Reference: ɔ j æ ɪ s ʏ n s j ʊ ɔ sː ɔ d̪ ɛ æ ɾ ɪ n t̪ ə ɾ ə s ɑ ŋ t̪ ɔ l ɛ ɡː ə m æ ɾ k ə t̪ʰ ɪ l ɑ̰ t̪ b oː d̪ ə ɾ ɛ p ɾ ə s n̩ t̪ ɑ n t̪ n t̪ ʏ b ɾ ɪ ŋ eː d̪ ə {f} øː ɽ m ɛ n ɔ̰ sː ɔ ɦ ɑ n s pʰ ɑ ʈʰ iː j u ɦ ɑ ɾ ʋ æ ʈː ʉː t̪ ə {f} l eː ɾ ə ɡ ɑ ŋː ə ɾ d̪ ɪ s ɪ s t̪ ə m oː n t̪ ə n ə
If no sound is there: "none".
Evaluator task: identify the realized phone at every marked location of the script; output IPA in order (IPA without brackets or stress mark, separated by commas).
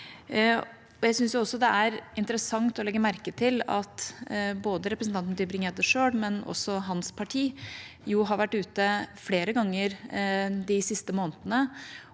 ʂ, f